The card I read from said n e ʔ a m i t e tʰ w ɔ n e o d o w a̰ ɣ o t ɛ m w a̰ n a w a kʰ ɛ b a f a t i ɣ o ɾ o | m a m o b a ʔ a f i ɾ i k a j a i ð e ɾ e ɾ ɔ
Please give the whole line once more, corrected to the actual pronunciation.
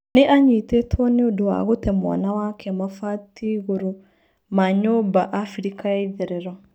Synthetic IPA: n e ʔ a ɲ i t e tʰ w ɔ n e o d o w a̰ ɣ o t ɛ m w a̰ n a w a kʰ ɛ m a f a t i ɣ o ɾ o | m a ɲ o b a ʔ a f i ɾ i k a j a i ð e ɾ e ɾ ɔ